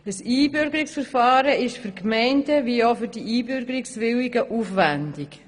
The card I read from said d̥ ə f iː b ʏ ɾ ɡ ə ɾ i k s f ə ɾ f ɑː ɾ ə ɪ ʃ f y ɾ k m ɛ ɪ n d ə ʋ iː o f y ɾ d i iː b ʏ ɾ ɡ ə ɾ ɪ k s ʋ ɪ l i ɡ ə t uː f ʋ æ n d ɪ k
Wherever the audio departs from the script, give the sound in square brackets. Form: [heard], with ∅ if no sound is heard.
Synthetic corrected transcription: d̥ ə [s] iː b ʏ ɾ ɡ ə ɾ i k s f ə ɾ f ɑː ɾ ə ɪ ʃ f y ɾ k m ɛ ɪ n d ə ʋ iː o f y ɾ d i iː b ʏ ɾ ɡ ə ɾ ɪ k s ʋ ɪ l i ɡ ə [ʔ] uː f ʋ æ n d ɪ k

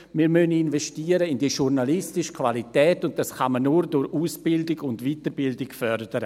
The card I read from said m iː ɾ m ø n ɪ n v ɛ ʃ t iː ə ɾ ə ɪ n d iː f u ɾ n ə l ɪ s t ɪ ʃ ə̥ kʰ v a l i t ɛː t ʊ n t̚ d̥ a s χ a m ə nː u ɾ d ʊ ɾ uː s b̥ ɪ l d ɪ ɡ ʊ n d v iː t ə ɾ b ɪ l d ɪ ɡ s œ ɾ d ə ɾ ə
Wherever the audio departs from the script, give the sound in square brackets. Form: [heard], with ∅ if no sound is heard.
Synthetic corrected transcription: m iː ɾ m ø n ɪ n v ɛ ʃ t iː ə ɾ ə ɪ n d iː [ʃ] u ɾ n [a] l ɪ s t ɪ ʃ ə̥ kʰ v a l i t ɛː t ʊ n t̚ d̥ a s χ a m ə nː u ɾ d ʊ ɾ uː s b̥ ɪ l d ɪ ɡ ʊ n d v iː t ə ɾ b ɪ l d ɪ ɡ [f] œ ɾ d ə ɾ ə

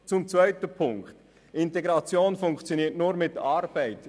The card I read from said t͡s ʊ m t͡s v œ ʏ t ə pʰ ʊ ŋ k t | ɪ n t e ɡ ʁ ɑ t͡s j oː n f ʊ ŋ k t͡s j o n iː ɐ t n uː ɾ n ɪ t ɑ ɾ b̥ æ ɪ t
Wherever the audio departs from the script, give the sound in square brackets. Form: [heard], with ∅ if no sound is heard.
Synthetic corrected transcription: t͡s ʊ m t͡s v œ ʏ t ə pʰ ʊ ŋ k t | ɪ n t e ɡ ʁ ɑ t͡s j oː n f ʊ ŋ k t͡s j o n iː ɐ t n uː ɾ [m] ɪ t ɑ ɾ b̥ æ ɪ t

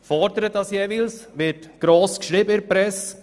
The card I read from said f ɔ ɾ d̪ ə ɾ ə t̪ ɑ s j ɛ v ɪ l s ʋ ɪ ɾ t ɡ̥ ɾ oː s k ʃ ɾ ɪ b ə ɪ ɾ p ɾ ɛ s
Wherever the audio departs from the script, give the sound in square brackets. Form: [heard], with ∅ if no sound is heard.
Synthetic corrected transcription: f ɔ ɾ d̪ ə ɾ ə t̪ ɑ s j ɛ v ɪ l s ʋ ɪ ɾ t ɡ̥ ɾ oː s k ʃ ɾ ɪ b ə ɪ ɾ p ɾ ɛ s

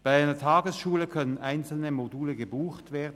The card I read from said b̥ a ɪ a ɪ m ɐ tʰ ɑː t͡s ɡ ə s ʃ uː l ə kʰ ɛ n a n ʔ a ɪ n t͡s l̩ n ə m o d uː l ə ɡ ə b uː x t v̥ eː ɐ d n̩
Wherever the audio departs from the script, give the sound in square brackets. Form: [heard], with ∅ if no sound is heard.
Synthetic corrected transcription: b̥ a ɪ a ɪ [n] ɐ tʰ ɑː [∅] ɡ ə s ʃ uː l ə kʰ [œ] n [ə] n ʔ a ɪ n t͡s l̩ n ə m o d uː l ə ɡ ə b uː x t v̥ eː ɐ d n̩

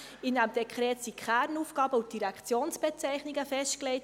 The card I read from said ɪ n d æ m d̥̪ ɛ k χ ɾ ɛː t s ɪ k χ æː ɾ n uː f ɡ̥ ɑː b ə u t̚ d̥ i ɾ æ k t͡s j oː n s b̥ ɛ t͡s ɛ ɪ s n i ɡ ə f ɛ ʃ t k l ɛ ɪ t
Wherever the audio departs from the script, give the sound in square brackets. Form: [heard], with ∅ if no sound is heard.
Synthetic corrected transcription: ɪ n d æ m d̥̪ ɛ k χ ɾ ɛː t s [i] k χ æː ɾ n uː f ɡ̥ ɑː b ə u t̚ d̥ i ɾ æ k t͡s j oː n s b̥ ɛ t͡s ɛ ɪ [χ] n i ɡ ə f ɛ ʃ t k l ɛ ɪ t

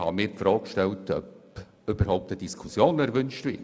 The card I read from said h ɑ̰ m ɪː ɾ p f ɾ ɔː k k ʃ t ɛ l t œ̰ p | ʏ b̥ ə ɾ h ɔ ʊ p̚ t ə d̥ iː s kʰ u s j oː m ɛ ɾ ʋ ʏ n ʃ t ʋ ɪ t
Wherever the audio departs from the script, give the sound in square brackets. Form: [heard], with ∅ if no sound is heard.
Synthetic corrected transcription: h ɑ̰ m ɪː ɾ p f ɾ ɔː k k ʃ t ɛ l t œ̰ p | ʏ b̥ ə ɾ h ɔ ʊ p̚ t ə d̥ [i] s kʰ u s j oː [n] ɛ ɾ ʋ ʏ n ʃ t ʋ ɪ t

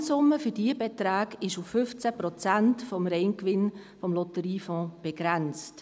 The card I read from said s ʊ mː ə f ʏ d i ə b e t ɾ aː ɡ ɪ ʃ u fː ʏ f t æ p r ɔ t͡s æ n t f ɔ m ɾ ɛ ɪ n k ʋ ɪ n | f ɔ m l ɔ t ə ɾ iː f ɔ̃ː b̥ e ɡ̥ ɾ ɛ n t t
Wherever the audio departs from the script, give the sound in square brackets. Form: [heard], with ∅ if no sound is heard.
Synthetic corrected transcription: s ʊ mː ə f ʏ d i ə b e t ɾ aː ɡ ɪ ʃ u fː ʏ f [t͡s] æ p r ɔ t͡s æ n t f ɔ m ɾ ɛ ɪ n k ʋ ɪ n | f ɔ m l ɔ t ə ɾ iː f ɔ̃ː b̥ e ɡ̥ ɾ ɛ n [t͡s] t

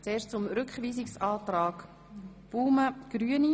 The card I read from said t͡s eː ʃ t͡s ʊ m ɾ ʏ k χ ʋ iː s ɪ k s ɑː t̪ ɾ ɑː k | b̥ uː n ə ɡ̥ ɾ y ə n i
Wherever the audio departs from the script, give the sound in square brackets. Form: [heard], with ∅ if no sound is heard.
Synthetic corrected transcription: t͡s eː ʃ t͡s ʊ m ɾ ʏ k χ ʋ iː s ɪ k s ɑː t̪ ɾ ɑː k | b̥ uː [m] ə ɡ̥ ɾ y ə n i

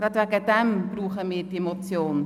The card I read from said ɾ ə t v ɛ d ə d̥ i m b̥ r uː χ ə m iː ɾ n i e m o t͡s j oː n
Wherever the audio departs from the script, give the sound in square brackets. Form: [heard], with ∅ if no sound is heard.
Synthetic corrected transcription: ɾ [ɑ] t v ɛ [ɡ] ə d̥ [ɛ] m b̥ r uː χ ə m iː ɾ [d] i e m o t͡s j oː n

